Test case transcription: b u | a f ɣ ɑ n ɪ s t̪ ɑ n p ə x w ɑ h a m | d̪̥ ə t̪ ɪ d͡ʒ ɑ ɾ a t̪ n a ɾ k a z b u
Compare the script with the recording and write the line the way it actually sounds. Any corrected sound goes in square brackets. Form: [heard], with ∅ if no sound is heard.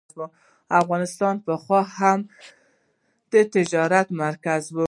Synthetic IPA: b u | a f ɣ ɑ n ɪ s t̪ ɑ n p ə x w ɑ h a m | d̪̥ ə t̪ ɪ d͡ʒ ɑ ɾ a t̪ [m] a ɾ k a z b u